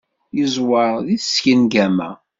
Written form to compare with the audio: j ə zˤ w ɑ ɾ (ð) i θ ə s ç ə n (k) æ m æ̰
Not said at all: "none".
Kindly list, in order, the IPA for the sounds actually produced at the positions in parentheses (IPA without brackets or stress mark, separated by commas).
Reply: ð, ɡ